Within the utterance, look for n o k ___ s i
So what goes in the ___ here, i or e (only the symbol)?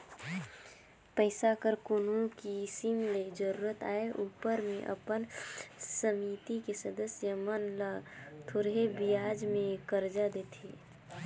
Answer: i